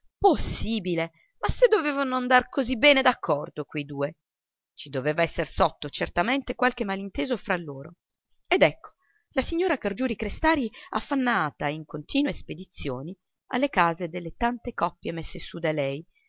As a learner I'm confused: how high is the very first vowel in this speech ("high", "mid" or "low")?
mid